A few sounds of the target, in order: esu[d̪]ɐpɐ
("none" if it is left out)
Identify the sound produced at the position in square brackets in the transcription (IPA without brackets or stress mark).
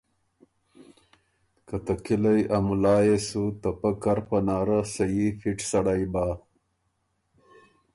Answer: t̪